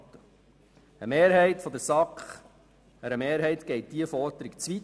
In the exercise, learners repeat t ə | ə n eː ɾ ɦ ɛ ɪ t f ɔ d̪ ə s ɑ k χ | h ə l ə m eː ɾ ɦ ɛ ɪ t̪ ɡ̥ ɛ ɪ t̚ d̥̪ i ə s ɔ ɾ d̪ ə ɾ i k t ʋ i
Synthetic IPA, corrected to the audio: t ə | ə m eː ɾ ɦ ɛ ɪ t f ɔ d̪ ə s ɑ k χ | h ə ɾ ə m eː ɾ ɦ ɛ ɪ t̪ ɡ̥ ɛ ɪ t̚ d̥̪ i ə f ɔ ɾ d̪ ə ɾ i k t͡s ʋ i